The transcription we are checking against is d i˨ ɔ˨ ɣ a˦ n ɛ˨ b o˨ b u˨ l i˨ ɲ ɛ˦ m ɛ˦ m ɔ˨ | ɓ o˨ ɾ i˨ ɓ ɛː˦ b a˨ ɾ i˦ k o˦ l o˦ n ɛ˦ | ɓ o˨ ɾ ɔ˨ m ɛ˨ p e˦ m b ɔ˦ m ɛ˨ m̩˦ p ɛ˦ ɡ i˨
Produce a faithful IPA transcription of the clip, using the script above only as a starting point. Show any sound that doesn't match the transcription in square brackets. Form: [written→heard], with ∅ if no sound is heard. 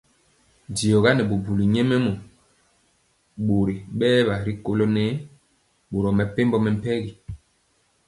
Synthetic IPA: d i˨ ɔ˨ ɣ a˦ n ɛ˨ b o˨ b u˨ l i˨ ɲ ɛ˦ m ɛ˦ m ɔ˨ | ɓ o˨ ɾ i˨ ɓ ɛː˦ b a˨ ɾ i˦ k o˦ l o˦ n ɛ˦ | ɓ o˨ ɾ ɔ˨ m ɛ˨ p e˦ m b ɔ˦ m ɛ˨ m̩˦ p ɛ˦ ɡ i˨